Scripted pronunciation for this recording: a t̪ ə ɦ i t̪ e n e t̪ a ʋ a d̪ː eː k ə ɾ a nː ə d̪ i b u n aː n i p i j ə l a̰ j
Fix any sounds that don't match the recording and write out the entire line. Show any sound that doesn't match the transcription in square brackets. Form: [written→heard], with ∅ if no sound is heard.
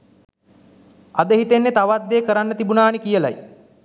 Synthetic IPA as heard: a [t̪→d̪] ə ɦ i t̪ e [n→nː] e t̪ a ʋ a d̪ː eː k ə ɾ a nː ə [d̪→t̪] i b u n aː n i [p→k] i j ə l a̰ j